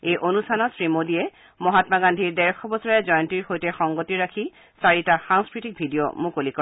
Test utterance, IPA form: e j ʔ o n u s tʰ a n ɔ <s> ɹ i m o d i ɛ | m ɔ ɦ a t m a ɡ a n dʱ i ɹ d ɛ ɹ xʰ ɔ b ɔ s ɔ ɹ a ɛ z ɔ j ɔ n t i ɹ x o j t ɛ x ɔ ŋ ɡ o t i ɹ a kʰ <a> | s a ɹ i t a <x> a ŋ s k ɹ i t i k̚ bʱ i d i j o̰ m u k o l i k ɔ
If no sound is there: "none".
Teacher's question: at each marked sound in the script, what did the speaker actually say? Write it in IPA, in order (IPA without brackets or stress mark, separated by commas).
s, i, x